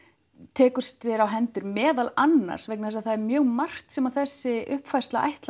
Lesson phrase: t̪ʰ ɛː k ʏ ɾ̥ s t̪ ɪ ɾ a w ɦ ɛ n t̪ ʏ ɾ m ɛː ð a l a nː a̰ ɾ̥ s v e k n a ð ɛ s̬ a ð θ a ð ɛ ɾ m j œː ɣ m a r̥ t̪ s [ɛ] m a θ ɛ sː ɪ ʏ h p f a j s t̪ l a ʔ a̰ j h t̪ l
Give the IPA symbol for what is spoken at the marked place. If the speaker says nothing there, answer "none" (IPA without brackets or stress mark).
ɛ